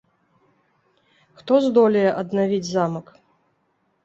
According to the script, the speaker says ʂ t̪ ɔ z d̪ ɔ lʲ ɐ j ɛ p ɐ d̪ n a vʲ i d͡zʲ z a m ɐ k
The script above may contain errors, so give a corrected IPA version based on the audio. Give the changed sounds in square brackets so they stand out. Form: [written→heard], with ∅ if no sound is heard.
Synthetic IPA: [ʂ→x] t̪ ɔ z d̪ ɔ lʲ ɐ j ɛ [p→ʔ] ɐ d̪ n a vʲ i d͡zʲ z a m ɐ k